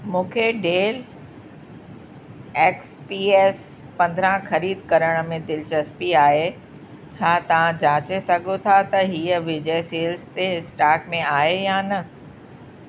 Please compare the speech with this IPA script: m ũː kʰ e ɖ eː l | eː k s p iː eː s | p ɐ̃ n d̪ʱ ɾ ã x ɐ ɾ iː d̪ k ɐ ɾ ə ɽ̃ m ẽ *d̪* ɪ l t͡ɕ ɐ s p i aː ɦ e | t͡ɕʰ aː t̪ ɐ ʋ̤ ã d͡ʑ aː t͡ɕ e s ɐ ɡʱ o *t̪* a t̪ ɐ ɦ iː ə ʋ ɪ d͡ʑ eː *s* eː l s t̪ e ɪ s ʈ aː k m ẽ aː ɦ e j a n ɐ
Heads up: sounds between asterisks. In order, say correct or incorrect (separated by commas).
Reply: correct, incorrect, correct